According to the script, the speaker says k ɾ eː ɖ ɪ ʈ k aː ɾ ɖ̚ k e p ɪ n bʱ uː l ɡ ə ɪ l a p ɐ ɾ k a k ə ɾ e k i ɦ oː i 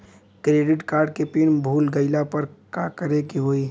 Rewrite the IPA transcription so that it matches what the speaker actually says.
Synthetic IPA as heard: k ɾ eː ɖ ɪ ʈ k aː ɾ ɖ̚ k e p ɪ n bʱ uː l ɡ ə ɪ l a p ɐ ɾ k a k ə ɾ e k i ɦ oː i